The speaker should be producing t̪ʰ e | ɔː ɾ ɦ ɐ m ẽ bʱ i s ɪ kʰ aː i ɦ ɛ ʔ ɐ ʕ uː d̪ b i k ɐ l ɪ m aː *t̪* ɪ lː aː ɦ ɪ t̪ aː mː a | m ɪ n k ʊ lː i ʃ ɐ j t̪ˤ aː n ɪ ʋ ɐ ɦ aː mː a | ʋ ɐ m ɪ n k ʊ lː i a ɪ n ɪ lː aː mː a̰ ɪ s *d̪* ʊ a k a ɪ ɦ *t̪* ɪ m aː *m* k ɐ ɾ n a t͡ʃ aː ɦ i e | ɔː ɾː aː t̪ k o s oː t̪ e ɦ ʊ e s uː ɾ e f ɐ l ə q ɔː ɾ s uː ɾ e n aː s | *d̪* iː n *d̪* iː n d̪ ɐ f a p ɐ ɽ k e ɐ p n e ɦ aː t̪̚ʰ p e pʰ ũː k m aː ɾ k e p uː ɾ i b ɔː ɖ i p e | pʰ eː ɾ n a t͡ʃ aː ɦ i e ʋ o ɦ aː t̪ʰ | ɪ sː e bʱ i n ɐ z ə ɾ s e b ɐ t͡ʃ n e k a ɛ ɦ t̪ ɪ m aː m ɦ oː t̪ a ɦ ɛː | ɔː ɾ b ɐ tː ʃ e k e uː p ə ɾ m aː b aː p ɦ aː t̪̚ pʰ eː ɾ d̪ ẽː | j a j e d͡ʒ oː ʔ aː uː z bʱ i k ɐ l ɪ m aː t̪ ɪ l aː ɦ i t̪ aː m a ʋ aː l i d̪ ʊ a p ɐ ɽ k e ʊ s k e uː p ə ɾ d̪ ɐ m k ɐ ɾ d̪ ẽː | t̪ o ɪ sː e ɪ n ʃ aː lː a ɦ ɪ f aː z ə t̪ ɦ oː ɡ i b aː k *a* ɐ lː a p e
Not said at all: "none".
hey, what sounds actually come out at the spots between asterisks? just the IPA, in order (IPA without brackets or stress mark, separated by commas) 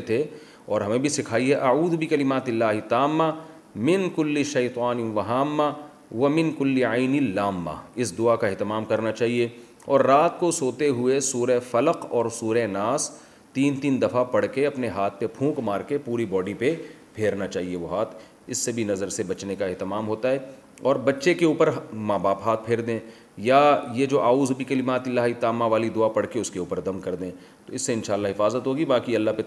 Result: t̪, d̪, t̪, m, t̪, t̪, i